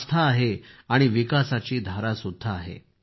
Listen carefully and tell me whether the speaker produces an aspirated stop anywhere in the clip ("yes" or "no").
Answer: yes